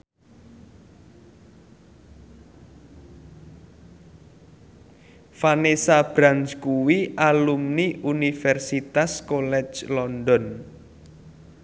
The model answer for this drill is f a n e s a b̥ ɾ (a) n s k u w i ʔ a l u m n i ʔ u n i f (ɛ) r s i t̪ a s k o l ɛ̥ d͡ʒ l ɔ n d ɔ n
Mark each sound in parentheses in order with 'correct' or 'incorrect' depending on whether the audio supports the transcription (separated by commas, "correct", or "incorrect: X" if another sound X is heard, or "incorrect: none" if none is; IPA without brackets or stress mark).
correct, correct